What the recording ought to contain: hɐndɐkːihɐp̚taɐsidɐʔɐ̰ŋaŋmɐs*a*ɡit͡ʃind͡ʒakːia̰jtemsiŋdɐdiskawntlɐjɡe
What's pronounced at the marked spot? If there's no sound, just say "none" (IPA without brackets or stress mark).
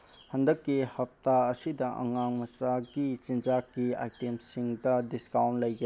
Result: a